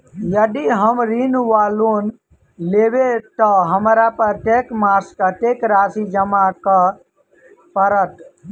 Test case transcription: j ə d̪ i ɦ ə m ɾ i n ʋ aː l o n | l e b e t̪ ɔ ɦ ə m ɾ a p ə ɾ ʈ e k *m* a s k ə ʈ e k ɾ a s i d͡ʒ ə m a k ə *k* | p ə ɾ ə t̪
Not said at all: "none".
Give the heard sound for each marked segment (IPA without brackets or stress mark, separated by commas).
m, none